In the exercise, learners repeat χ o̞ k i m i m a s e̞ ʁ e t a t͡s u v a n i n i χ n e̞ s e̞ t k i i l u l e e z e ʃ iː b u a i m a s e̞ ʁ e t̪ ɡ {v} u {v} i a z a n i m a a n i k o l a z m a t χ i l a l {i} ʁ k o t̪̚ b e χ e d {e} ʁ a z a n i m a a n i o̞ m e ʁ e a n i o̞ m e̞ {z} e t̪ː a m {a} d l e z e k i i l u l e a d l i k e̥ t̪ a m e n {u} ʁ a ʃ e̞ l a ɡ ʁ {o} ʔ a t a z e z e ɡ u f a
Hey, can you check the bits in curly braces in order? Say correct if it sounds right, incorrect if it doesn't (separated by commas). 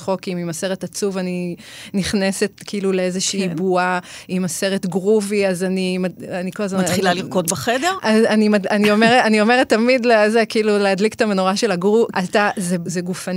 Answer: incorrect, correct, correct, correct, incorrect, incorrect, incorrect, incorrect